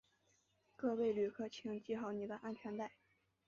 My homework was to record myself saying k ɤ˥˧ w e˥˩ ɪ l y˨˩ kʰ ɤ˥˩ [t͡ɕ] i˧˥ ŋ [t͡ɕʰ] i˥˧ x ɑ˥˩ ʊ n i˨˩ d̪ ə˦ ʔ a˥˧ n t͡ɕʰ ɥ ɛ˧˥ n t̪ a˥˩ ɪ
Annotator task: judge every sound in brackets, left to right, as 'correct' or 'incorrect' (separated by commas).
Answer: incorrect, incorrect